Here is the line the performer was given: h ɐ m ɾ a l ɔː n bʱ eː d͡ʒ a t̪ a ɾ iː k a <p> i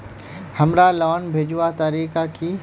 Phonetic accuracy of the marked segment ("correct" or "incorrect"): incorrect